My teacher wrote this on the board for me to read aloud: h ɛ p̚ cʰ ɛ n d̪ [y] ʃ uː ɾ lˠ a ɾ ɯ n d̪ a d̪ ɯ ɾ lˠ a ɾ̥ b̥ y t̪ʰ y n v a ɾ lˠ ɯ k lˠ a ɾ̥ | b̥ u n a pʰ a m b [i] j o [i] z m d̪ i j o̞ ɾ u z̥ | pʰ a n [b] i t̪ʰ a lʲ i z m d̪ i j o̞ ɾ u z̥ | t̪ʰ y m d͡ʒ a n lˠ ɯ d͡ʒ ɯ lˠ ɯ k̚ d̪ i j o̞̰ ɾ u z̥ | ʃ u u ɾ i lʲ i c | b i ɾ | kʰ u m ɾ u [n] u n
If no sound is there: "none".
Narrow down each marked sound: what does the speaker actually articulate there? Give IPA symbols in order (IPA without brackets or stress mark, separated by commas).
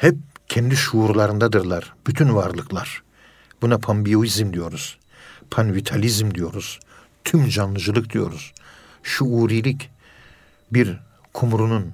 i, i, i, v, n